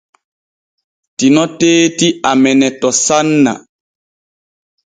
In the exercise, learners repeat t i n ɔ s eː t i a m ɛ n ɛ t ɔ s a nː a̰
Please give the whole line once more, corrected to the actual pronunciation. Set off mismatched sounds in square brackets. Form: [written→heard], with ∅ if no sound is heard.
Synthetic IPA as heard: t i n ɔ [s→t] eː t i a m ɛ n ɛ t ɔ s a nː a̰